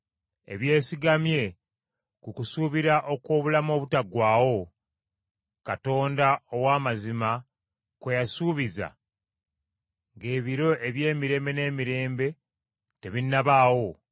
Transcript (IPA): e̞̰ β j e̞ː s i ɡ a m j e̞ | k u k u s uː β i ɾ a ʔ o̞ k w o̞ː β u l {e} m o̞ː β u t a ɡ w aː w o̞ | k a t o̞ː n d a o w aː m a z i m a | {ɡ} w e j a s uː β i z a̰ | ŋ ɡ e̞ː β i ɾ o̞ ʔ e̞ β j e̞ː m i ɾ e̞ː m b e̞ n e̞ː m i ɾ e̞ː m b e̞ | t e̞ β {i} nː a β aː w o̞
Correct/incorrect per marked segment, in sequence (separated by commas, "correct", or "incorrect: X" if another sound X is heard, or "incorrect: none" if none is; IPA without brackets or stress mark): incorrect: a, incorrect: k, correct